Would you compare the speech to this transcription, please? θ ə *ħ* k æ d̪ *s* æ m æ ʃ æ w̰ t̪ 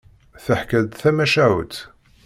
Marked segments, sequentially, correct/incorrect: correct, incorrect

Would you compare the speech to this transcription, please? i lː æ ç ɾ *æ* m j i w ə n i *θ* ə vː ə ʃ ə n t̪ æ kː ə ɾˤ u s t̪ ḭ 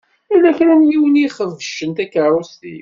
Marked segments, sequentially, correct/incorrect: correct, incorrect

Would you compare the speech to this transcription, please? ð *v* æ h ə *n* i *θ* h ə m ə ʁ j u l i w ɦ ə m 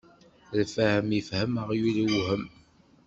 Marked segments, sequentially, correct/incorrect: incorrect, incorrect, incorrect

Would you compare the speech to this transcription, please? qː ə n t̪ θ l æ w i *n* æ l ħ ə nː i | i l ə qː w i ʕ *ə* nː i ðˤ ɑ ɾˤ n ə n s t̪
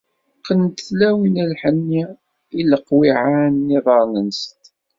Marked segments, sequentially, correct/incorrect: correct, incorrect

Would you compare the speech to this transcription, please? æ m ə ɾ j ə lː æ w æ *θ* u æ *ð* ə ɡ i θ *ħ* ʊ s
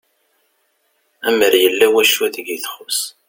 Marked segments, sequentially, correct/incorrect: incorrect, correct, incorrect

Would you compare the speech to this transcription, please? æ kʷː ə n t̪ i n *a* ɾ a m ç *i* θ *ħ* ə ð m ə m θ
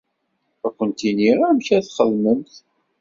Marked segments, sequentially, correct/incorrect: incorrect, incorrect, incorrect

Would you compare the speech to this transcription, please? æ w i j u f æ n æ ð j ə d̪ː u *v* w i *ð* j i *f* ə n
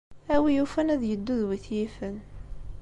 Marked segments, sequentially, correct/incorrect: incorrect, incorrect, correct

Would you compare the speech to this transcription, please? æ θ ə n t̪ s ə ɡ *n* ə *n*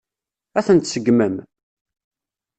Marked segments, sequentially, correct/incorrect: incorrect, incorrect

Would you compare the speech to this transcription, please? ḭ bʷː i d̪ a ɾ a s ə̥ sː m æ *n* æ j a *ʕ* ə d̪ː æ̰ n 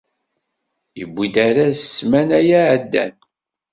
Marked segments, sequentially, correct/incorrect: correct, correct

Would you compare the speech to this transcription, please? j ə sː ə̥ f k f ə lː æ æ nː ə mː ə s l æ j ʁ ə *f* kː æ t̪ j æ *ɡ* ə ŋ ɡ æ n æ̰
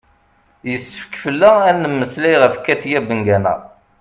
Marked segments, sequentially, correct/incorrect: correct, incorrect

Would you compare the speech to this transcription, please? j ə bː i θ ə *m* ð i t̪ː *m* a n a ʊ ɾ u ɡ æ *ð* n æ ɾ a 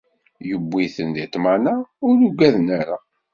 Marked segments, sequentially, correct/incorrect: incorrect, correct, correct

